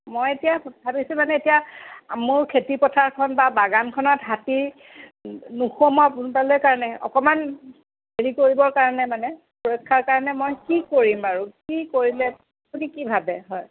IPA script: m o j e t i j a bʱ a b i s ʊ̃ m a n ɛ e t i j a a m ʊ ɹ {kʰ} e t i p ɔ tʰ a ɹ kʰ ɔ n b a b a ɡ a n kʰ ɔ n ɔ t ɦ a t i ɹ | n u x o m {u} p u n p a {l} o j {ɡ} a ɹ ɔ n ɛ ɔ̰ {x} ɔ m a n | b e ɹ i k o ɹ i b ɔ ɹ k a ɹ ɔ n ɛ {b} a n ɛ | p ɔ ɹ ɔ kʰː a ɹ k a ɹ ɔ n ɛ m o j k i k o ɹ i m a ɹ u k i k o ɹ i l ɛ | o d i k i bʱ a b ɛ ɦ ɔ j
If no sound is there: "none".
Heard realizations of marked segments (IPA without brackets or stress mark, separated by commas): kʰ, ɔ, l, k, k, m